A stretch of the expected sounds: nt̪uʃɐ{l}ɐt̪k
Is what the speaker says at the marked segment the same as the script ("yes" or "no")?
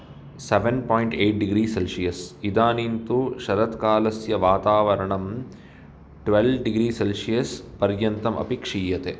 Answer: no